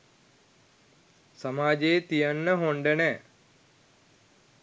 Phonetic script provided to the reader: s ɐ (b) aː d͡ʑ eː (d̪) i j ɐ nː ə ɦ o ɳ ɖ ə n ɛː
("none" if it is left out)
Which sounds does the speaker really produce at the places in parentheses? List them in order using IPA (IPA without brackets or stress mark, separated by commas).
m, t̪